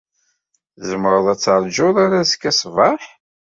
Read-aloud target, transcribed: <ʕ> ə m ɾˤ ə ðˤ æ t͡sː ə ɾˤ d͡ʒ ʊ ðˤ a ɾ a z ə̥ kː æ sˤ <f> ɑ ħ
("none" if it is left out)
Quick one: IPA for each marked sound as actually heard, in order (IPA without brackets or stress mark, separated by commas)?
z, v